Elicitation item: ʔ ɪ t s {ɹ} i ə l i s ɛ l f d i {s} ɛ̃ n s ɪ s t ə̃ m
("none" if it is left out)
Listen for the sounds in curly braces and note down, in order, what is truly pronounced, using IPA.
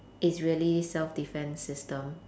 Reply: ɹ, f

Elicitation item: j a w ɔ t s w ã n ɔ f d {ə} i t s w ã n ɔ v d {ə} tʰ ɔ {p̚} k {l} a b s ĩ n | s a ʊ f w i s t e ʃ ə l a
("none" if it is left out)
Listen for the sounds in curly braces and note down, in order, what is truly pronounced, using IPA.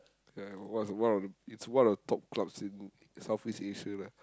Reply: ə, ə, p̚, l

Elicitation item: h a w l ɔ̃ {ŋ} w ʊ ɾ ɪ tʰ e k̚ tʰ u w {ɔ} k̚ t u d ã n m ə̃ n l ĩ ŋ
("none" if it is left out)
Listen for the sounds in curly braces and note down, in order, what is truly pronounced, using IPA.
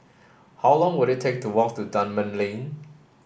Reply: ŋ, ɔ

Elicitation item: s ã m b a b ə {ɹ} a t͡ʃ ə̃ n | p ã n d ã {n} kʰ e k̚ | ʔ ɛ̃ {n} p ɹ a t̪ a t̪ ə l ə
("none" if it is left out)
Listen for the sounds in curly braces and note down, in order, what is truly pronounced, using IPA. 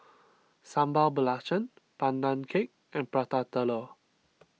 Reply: l, n, n

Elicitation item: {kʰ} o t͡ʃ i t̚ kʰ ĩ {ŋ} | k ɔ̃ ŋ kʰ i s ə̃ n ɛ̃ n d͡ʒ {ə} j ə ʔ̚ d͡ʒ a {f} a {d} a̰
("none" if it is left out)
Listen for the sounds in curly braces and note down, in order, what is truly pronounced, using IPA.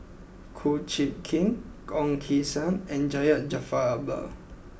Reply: kʰ, ŋ, a, f, b

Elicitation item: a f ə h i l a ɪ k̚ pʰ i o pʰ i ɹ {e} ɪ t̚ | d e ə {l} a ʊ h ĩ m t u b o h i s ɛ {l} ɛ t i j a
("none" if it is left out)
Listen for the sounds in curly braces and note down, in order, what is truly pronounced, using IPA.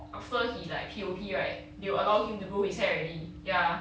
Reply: a, l, ɹ

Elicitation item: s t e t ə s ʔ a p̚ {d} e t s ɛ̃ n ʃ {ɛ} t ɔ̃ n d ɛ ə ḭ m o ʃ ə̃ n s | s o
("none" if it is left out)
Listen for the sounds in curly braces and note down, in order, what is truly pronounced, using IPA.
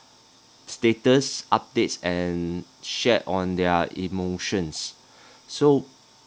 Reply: d, ɛ

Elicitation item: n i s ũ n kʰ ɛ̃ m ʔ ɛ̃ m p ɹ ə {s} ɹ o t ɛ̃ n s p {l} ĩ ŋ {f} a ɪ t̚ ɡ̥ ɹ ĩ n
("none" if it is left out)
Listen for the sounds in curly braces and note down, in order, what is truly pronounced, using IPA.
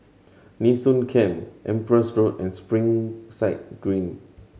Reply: s, ɹ, s

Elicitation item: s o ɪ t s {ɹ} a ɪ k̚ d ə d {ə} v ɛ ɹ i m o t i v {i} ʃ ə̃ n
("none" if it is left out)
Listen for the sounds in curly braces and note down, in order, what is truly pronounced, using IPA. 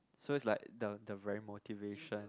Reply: l, ə, e

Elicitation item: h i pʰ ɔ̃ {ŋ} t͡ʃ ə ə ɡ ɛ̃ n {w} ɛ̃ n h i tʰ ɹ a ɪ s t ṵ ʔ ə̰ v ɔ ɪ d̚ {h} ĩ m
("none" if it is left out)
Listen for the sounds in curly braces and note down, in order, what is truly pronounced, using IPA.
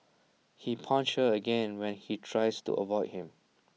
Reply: n, w, h

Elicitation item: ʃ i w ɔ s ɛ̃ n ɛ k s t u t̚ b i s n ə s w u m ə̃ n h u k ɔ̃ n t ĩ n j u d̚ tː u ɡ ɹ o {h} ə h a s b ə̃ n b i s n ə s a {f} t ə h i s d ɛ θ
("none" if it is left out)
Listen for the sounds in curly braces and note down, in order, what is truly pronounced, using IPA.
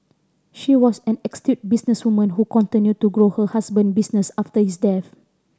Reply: h, f

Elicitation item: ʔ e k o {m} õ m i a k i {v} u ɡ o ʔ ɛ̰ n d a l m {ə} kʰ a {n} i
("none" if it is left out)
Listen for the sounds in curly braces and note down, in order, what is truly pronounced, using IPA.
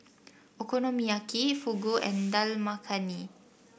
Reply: n, f, a, n

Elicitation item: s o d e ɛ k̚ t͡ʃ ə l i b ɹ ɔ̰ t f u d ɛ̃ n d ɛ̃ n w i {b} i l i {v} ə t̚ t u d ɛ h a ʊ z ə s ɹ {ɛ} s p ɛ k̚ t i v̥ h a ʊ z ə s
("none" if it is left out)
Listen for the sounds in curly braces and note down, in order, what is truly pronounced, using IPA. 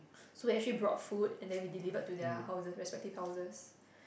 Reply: d, v, ɛ

